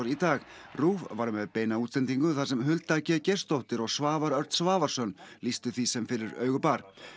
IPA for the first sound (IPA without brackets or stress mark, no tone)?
ɾ